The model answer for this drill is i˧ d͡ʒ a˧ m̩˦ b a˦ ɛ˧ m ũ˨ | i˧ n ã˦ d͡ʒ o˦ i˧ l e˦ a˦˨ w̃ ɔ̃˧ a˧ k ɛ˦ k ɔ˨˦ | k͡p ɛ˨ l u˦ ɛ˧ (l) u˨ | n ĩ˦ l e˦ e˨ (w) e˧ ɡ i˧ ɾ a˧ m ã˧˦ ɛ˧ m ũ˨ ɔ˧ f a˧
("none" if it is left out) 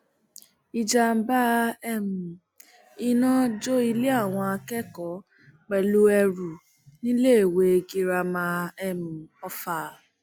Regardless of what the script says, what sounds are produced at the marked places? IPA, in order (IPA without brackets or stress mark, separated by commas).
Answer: ɾ, w